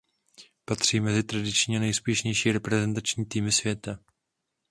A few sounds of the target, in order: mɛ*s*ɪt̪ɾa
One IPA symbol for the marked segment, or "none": z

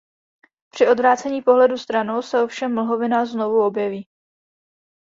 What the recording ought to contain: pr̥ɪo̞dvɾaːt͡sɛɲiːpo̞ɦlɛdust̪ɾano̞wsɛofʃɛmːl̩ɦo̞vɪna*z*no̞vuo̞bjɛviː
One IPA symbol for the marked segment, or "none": z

